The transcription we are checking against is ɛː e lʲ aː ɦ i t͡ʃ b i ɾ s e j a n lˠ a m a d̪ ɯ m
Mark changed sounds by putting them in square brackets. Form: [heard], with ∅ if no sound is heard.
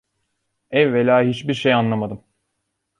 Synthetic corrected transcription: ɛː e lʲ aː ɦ i t͡ʃ b i ɾ [ʃ] e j a n lˠ a m a d̪ ɯ m